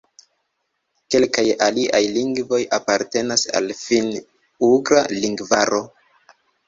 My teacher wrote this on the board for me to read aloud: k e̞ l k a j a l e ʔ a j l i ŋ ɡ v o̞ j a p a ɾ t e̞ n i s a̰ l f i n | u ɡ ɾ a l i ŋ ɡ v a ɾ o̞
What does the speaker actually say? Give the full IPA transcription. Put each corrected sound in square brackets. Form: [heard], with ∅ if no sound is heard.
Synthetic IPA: k e̞ l k a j a l [i] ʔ a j l i ŋ ɡ v o̞ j a p a ɾ t e̞ n [a] s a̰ l f i n | u ɡ ɾ a l i ŋ ɡ v a ɾ o̞